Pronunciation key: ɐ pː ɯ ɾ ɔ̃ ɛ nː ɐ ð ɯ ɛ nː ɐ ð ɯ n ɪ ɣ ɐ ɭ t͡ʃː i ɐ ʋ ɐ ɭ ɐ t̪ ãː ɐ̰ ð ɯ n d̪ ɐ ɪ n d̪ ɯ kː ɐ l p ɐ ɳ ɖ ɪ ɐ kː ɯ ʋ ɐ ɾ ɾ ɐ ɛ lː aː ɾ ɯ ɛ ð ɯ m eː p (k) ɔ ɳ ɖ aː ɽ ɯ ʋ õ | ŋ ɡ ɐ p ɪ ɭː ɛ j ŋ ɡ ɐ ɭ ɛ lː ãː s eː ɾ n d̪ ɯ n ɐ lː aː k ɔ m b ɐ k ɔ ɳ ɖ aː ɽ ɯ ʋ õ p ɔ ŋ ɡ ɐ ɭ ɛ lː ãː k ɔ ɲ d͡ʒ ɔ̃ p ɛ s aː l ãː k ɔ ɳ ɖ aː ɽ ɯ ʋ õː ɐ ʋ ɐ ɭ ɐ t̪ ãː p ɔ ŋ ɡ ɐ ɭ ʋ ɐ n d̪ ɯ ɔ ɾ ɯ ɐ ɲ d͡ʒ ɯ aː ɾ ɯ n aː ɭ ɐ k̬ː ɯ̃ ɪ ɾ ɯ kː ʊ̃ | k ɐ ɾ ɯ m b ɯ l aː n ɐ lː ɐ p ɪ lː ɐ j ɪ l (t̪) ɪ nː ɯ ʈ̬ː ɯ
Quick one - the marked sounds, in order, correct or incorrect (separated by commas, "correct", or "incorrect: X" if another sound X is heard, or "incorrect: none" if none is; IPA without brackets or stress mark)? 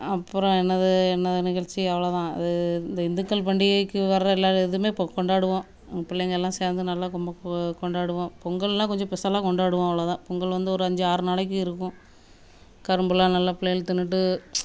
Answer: correct, correct